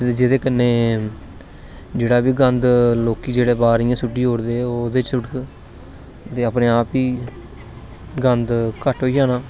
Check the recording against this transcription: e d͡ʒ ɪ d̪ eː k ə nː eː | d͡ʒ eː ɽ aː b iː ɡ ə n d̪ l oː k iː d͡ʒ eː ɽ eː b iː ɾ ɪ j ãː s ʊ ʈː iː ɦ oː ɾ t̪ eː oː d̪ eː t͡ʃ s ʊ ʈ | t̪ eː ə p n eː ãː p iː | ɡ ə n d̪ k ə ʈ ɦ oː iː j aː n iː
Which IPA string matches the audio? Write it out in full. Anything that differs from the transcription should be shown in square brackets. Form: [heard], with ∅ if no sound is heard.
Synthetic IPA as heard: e d͡ʒ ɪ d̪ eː k ə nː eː | d͡ʒ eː ɽ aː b iː ɡ ə n d̪ l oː k iː d͡ʒ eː ɽ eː b [aː] ɾ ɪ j ãː s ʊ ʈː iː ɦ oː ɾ [d̪] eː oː d̪ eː t͡ʃ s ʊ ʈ | t̪ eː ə p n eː [aː] p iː | ɡ ə n d̪ k ə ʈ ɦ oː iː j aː n [aː]

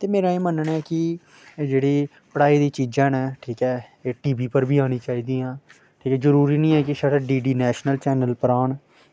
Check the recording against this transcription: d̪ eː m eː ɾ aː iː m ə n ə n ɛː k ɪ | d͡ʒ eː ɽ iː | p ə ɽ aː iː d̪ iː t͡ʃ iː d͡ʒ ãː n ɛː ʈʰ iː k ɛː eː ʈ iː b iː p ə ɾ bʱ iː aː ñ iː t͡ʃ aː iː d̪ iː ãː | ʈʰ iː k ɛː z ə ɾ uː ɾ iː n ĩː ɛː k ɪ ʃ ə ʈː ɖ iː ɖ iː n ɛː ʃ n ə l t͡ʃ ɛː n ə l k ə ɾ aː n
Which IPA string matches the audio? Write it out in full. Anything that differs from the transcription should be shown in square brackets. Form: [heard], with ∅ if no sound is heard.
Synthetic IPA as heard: [t̪] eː m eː ɾ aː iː m ə n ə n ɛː k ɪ | d͡ʒ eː ɽ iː | p ə ɽ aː iː d̪ iː t͡ʃ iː d͡ʒ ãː n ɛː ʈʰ iː k ɛː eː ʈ iː b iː p ə ɾ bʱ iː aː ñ iː t͡ʃ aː iː d̪ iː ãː | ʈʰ iː k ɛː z ə ɾ uː ɾ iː n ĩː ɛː k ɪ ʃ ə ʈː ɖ iː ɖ iː n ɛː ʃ n ə l t͡ʃ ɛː n ə l [p] ə ɾ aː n

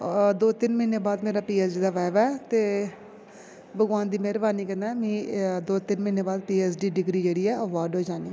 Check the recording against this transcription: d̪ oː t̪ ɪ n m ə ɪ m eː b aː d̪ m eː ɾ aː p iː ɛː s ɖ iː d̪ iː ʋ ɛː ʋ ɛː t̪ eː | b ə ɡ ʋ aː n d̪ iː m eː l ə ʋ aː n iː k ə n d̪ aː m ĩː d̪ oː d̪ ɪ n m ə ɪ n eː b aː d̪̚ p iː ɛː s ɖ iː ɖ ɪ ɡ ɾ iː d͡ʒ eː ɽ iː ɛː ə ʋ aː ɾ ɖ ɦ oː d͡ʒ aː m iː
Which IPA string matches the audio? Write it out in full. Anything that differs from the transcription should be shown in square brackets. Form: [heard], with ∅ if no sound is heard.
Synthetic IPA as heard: d̪ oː t̪ ɪ n m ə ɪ [n] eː b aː d̪ m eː ɾ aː p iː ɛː s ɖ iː d̪ [aː] ʋ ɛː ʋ ɛː t̪ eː | b ə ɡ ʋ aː n d̪ iː m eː [ɾ] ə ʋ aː n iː k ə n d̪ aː m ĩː d̪ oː [t̪] ɪ n m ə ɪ n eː b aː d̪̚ p iː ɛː s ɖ iː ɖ ɪ ɡ ɾ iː d͡ʒ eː ɽ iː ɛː ə ʋ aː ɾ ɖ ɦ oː d͡ʒ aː [n] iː

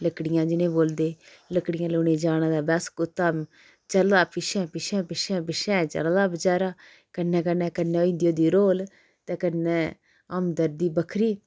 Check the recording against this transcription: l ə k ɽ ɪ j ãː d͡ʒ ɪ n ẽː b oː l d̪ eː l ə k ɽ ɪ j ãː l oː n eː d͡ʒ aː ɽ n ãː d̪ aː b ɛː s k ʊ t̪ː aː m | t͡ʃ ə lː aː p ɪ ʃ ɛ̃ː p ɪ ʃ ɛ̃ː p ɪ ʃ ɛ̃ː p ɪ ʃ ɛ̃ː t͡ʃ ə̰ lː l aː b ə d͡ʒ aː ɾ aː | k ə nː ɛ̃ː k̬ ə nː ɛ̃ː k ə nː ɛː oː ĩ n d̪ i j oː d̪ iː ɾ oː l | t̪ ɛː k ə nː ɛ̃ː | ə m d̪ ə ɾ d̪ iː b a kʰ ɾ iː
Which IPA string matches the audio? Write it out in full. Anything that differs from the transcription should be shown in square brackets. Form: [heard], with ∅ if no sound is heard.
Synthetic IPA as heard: l ə k ɽ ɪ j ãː d͡ʒ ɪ n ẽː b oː l d̪ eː l ə k ɽ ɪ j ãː l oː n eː d͡ʒ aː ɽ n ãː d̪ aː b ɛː s k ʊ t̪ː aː m | t͡ʃ ə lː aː p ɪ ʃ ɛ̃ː p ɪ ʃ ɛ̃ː p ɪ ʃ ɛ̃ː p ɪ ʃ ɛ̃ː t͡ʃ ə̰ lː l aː b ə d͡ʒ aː ɾ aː | k ə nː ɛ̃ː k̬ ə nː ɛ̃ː k ə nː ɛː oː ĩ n d̪ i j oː d̪ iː ɾ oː l | t̪ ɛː k ə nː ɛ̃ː | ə m d̪ ə ɾ d̪ iː b [ə] kʰ ɾ iː

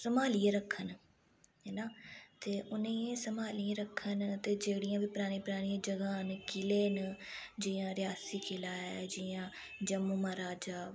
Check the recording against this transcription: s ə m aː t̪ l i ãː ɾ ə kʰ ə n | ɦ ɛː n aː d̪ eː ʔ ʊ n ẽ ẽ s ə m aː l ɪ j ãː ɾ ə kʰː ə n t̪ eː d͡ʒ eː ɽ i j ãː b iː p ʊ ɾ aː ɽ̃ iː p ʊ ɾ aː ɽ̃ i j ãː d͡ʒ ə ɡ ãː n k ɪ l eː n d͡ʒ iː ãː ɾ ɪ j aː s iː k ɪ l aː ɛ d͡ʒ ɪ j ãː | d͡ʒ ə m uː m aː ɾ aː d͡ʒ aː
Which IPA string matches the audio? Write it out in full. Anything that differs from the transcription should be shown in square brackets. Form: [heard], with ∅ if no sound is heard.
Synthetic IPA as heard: s ə m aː [∅] l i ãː ɾ ə kʰ ə n | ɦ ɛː n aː [t̪] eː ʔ ʊ n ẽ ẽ s ə m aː l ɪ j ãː ɾ ə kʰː ə n t̪ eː d͡ʒ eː ɽ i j ãː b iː p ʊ ɾ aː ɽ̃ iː p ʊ ɾ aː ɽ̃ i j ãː d͡ʒ ə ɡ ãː n k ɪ l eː n d͡ʒ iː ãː ɾ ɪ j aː s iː k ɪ l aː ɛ d͡ʒ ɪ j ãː | d͡ʒ ə m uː m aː ɾ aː d͡ʒ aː

